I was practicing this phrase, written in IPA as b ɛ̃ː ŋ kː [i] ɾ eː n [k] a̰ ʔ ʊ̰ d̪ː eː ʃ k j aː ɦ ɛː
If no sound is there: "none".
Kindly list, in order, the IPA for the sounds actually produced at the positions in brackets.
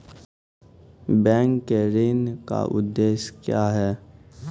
e, k

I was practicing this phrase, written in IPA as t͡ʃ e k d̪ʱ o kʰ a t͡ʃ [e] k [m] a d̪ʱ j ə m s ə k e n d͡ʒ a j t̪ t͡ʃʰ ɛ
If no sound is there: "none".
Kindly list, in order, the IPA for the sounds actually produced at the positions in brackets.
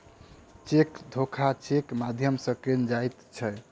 e, m

